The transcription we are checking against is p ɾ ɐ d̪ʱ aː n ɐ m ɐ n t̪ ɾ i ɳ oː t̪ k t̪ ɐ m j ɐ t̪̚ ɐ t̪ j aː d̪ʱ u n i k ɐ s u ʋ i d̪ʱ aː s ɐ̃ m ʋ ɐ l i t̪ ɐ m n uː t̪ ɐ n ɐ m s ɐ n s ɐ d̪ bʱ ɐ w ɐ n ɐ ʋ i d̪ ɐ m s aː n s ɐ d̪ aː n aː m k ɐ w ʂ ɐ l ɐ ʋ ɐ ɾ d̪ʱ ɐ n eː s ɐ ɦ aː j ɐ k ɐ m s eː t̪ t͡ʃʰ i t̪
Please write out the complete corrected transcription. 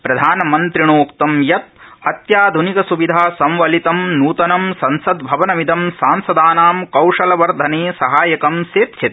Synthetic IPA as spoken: p ɾ ɐ d̪ʱ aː n ɐ m ɐ n t̪ ɾ i ɳ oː k t̪ ɐ m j ɐ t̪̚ ɐ t̪ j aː d̪ʱ u n i k ɐ s u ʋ i d̪ʱ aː s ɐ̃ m ʋ ɐ l i t̪ ɐ m n uː t̪ ɐ n ɐ m s ɐ n s ɐ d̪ bʱ ɐ ʋ ɐ n ɐ ʋ i d̪ ɐ m s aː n s ɐ d̪ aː n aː m k ɐ w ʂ ɐ l ɐ ʋ ɐ ɾ d̪ʱ ɐ n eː s ɐ ɦ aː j ɐ k ɐ m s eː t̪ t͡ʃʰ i t̪